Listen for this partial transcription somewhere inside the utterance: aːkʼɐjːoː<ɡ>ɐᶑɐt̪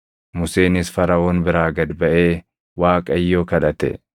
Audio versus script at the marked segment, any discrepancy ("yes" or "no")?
yes